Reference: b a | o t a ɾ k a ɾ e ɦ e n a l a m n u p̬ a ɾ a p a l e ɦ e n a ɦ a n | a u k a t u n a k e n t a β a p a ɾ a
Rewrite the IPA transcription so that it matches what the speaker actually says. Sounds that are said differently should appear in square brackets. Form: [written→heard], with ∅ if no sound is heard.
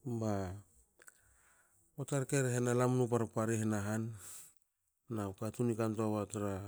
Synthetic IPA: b a | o t a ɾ k [a→e] ɾ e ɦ e n a l a m n u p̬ a ɾ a p a [l→ɾ] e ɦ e n a ɦ a n | a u k a t u n [a→i] k [e→a] n t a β a [p→t] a ɾ a